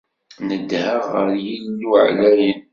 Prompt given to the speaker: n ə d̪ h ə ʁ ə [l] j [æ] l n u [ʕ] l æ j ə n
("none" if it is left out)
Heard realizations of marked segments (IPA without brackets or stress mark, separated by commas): ɾ, i, ʕ